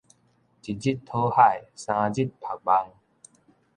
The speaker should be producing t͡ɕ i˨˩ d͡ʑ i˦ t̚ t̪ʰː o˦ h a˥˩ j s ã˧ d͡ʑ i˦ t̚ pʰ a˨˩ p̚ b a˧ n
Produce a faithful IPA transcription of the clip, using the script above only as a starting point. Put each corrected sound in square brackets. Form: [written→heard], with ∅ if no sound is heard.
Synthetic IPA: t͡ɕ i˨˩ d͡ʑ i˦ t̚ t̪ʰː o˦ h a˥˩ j s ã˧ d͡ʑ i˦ t̚ pʰ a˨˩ [p̚→k̚] b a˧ [n→ŋ]